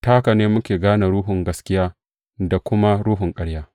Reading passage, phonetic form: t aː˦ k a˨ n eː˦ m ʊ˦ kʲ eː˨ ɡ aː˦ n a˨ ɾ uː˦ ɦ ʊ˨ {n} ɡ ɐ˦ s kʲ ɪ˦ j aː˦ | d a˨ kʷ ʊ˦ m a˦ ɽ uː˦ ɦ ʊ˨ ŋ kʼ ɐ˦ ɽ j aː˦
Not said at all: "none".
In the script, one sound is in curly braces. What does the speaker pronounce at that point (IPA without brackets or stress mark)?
ŋ